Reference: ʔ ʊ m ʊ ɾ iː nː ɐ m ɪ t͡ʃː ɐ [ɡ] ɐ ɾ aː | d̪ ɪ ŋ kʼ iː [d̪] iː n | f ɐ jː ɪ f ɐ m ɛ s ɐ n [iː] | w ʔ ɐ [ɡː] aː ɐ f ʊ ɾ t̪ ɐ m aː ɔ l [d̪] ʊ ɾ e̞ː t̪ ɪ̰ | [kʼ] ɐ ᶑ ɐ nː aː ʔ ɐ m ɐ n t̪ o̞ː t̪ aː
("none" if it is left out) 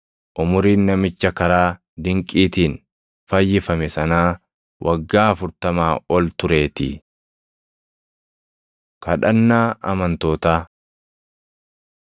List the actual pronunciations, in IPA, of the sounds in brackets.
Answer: k, t̪, aː, ɡː, t̪, k

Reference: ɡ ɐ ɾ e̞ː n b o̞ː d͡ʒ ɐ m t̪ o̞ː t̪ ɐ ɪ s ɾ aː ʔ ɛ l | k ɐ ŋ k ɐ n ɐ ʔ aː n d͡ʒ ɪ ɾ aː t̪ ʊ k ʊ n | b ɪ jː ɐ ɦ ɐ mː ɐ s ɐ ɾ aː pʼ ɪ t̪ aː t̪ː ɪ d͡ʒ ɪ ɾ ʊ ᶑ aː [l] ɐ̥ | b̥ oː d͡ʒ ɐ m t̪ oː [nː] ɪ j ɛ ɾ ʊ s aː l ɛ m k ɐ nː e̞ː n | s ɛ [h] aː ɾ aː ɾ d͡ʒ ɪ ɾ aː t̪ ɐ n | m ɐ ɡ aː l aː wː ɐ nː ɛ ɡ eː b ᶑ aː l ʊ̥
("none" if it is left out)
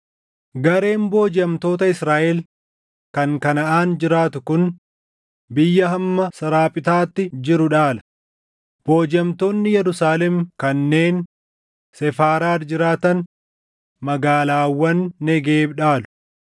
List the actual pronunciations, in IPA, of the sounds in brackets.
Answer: l, nː, f

